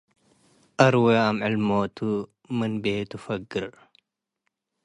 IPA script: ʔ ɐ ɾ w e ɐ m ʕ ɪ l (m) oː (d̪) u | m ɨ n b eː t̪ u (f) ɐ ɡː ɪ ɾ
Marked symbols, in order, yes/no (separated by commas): yes, no, yes